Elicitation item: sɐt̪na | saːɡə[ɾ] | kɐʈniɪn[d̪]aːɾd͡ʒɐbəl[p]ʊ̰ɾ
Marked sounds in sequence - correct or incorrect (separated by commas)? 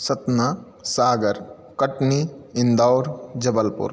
correct, correct, correct